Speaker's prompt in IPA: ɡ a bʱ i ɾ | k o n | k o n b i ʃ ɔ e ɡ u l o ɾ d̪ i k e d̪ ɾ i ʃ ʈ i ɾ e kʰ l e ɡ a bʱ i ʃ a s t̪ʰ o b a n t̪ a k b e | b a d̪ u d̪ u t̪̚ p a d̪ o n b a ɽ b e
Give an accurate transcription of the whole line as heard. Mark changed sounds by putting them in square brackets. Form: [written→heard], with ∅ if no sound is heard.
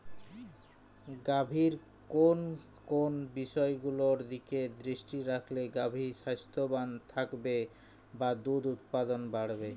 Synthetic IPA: ɡ a bʱ i ɾ | k o n | k o n b i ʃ ɔ e ɡ u l o ɾ d̪ i k e d̪ ɾ i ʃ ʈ i ɾ [e→a] kʰ l e ɡ a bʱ i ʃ a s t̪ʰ o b a n [t̪→t̪ʰ] a k b e | b a d̪ u d̪ u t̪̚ p a d̪ o n b a ɽ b e

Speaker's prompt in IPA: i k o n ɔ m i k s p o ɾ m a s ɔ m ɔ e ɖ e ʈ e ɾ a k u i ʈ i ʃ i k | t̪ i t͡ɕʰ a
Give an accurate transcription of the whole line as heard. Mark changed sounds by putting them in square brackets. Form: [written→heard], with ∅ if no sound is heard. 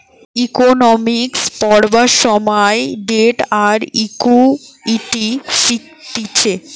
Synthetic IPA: i k o n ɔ m i k s p [o→ɔ] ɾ [m→b] a [s→ʃ] ɔ m ɔ e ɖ e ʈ [e→a] ɾ [a→i] k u i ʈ i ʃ i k | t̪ i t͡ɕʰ [a→e]

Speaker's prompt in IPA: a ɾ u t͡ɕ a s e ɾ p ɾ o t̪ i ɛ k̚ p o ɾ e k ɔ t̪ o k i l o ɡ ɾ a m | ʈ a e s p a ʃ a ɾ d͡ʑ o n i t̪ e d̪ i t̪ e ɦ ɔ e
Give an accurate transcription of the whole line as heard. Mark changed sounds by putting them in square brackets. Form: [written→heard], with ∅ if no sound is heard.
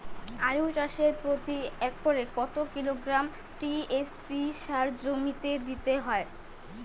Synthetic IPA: a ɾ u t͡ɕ a [s→ʃ] e ɾ p ɾ o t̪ i ɛ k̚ p o ɾ e k ɔ t̪ o k i l o ɡ ɾ a m | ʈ [a→i] e s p [a→i] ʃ a ɾ d͡ʑ o [n→m] i t̪ e d̪ i t̪ e ɦ ɔ e

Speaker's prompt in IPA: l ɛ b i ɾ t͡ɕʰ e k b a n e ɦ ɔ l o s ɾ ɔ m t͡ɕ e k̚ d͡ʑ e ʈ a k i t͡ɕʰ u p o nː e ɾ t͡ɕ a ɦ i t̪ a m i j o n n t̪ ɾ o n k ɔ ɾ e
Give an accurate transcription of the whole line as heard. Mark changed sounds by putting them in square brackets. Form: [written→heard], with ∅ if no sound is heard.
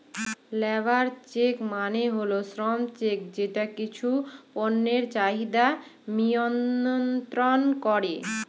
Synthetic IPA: l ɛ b [i→a] ɾ [t͡ɕʰ→t͡ɕ] e k [b→m] a n e ɦ [ɔ→o] l o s ɾ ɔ m t͡ɕ e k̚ d͡ʑ e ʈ a k i t͡ɕʰ u p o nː e ɾ t͡ɕ a ɦ i [t̪→d̪] a m i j o n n t̪ ɾ o n k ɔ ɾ e

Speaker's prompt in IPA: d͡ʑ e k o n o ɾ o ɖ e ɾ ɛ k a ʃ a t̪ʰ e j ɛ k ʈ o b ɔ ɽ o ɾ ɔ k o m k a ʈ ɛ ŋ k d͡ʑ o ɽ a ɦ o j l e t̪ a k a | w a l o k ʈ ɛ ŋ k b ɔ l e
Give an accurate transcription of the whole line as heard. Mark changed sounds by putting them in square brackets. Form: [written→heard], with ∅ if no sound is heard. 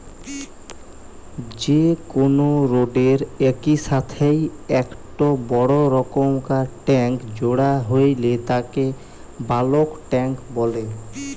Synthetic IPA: d͡ʑ e k o n o ɾ o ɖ e ɾ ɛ k [a→i] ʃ a t̪ʰ e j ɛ k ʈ o b ɔ ɽ o ɾ ɔ k o m k a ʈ ɛ ŋ k d͡ʑ o ɽ a ɦ o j l e t̪ a k [a→e] | [w→b] a l o k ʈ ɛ ŋ k b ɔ l e

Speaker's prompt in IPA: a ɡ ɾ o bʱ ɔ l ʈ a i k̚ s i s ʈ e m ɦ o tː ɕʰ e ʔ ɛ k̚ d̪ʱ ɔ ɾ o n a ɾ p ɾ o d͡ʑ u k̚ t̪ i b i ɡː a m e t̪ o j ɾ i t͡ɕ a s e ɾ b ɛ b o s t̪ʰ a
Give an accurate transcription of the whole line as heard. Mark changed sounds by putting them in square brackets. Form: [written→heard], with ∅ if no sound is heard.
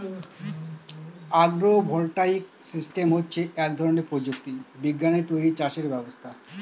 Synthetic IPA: a ɡ ɾ o bʱ ɔ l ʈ a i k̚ s i s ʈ e m ɦ o tː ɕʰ e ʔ ɛ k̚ d̪ʱ ɔ ɾ o n [a→e] ɾ p ɾ o d͡ʑ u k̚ t̪ i b i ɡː a [m→n] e t̪ o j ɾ i t͡ɕ a [s→ʃ] e ɾ b ɛ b o s t̪ʰ a

